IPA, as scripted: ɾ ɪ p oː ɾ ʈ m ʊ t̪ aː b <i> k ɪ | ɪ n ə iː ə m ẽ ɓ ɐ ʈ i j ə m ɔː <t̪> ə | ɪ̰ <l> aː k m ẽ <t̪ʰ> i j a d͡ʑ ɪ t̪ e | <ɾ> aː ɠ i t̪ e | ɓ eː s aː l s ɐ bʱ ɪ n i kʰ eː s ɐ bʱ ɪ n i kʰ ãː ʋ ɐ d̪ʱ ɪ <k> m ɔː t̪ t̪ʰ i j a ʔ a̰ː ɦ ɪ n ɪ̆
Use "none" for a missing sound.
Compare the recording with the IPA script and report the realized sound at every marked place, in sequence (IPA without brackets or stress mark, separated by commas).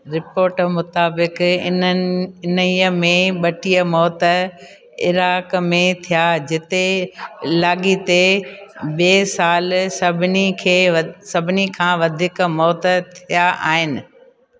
ɪ, t̪, ɾ, t̪ʰ, l, k